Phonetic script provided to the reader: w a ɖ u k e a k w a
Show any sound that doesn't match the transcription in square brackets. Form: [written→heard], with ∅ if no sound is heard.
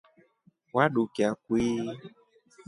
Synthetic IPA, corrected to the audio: w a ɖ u k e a k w [a→i]